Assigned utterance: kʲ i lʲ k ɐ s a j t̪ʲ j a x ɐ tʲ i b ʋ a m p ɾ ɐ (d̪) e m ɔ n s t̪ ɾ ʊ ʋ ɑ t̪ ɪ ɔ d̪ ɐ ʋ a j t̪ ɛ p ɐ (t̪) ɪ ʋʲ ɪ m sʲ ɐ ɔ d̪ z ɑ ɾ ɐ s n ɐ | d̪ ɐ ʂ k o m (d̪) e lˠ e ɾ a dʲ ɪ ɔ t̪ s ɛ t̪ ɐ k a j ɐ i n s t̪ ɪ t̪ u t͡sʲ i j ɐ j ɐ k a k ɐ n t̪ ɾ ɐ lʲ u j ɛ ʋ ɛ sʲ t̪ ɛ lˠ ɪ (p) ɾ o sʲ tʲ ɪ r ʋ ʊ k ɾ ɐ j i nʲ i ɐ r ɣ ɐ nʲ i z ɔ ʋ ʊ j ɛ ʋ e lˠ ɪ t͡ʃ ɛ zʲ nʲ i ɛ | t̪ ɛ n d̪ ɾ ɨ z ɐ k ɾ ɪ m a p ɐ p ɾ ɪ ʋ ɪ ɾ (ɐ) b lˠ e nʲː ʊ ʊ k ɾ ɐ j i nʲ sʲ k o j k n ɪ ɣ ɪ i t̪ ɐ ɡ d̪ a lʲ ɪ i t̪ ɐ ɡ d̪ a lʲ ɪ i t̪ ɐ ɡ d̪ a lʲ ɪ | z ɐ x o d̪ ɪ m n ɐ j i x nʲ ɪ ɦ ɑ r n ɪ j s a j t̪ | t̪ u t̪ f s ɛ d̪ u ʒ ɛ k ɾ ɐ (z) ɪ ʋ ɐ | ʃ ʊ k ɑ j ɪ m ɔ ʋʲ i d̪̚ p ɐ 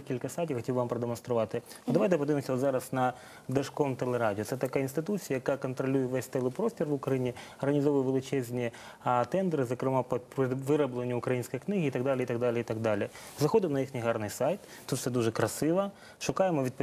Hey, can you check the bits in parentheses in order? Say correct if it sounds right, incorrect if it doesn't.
correct, incorrect: d̪, incorrect: t̪, correct, correct, incorrect: s

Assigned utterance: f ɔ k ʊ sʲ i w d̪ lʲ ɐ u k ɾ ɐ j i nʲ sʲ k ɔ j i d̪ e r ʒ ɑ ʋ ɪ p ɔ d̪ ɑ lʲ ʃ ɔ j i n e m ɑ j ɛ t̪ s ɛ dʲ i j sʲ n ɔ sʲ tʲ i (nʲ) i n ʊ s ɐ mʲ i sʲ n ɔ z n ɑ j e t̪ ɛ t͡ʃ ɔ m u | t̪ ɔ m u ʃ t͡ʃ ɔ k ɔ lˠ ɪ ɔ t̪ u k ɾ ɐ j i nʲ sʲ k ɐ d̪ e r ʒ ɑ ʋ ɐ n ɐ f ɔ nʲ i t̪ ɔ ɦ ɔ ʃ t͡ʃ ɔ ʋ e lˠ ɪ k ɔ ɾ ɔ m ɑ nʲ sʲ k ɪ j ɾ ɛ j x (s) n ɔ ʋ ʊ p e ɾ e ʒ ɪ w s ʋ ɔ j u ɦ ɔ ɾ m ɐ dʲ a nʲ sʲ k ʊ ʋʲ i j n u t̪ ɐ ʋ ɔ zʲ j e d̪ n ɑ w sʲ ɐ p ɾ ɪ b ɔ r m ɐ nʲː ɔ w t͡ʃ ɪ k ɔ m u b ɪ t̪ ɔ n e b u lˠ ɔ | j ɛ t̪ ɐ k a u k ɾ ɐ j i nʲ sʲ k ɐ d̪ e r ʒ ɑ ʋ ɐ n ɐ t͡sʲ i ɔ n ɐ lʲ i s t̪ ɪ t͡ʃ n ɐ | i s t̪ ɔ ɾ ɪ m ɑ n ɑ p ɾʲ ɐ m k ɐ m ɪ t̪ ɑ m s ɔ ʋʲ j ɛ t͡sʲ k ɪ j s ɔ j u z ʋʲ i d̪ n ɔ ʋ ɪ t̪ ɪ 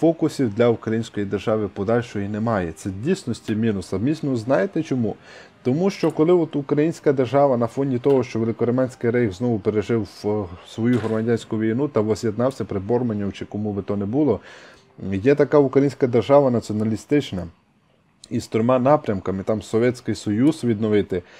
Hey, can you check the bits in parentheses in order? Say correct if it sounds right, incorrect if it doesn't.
incorrect: mʲ, incorrect: z

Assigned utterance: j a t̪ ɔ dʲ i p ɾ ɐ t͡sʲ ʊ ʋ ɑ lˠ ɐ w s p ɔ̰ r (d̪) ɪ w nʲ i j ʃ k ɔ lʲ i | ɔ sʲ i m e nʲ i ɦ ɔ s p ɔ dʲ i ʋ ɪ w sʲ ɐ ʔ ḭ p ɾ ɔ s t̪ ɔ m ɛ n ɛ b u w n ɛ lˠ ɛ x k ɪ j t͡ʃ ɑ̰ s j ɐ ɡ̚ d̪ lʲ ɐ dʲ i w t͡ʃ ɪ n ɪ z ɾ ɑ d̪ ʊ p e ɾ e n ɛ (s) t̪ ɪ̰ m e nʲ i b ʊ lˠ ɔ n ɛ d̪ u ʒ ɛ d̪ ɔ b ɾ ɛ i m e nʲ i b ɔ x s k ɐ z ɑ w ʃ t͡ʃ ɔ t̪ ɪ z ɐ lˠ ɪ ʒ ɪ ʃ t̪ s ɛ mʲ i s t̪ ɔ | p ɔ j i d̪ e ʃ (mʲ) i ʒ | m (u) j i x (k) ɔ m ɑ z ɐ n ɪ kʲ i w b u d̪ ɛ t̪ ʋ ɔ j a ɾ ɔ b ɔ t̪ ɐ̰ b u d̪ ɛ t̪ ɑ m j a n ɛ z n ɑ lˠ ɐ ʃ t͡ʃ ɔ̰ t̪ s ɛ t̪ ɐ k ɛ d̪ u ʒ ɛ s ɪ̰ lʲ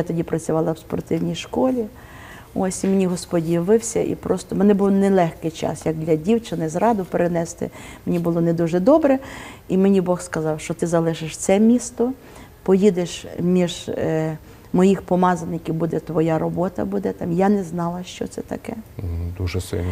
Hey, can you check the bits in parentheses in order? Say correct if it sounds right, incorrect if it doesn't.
incorrect: t̪, correct, correct, incorrect: ɔ, incorrect: p

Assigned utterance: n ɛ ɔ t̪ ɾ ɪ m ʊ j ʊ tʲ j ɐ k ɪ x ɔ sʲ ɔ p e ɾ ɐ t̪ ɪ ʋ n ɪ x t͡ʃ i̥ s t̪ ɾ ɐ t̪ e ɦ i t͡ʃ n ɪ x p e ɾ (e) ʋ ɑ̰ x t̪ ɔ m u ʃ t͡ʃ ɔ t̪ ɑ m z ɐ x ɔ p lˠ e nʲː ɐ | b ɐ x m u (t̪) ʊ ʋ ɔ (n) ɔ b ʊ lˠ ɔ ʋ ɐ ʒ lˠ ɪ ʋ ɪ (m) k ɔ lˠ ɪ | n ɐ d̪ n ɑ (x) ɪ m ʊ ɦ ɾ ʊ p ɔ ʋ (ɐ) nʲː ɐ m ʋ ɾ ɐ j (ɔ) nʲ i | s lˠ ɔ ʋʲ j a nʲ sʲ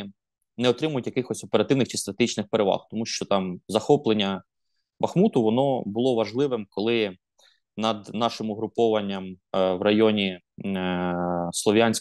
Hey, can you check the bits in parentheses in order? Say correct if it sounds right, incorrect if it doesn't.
correct, correct, correct, correct, incorrect: ʃ, correct, correct

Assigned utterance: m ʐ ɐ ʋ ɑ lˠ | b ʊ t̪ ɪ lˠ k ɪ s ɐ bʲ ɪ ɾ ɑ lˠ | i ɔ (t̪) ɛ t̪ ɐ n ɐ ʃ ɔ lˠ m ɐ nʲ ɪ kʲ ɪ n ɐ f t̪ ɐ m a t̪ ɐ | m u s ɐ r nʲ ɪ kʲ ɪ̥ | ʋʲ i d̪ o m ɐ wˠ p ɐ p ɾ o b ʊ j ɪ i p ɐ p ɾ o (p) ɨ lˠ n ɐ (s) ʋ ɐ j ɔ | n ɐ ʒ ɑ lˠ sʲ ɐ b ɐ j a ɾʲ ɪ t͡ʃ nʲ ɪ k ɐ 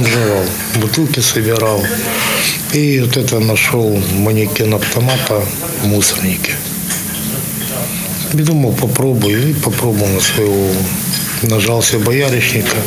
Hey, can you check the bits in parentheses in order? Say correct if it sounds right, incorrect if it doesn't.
correct, incorrect: b, correct

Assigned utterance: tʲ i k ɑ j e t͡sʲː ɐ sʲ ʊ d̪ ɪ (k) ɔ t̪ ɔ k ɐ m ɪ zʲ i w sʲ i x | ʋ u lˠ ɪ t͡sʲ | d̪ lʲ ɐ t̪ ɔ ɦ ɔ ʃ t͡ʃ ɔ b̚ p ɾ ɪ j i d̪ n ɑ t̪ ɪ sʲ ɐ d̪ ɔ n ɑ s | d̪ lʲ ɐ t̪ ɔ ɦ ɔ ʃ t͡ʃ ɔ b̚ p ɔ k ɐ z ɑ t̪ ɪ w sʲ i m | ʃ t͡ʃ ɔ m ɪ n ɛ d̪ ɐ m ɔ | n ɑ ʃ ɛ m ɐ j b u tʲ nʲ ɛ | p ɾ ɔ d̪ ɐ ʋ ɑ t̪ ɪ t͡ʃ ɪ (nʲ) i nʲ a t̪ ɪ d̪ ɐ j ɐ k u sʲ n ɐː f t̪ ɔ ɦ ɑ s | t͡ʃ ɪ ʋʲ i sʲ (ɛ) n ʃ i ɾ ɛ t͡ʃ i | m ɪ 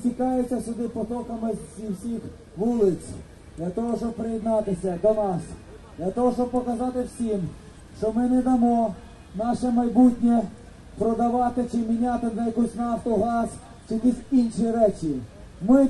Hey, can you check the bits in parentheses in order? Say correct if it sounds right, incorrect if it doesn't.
incorrect: p, incorrect: mʲ, incorrect: i

